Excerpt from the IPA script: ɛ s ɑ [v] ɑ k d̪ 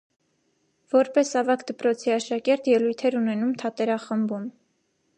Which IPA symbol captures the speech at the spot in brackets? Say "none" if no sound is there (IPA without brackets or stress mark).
v